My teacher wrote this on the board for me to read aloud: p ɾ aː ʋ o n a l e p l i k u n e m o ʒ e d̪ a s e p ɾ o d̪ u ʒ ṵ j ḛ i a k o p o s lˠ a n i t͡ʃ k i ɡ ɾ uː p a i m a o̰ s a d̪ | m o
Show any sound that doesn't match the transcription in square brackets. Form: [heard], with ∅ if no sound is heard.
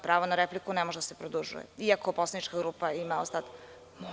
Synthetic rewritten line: p ɾ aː ʋ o n a [ɾ] e p l i k u n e m o ʒ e d̪ a s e p ɾ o d̪ u ʒ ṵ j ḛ i a k o p o s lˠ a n i t͡ʃ k [a] ɡ ɾ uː p a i m a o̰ s a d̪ | m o